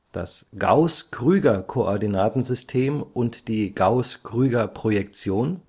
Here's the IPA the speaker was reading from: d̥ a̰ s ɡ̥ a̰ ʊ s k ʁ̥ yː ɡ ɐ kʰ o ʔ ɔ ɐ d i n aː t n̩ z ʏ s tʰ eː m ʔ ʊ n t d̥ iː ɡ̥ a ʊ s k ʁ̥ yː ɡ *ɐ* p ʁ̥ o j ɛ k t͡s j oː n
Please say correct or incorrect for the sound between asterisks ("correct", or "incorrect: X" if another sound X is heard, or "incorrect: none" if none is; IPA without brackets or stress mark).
correct